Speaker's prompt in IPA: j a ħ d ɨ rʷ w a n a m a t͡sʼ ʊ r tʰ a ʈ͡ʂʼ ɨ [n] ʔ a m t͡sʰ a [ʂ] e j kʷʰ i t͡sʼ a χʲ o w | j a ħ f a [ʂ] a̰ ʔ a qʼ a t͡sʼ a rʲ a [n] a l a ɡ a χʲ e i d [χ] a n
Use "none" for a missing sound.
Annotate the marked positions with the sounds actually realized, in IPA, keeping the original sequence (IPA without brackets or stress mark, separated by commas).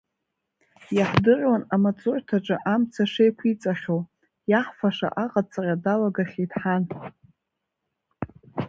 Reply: none, ʂ, ʂ, d, ħ